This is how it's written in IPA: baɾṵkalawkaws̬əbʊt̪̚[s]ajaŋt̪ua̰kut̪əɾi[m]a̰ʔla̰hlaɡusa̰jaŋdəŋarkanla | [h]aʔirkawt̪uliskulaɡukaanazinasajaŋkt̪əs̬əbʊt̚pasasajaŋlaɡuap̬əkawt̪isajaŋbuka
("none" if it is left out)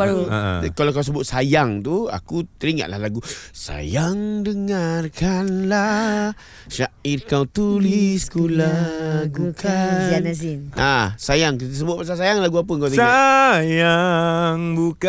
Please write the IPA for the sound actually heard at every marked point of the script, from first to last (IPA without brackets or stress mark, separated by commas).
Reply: s, ŋ, ʃ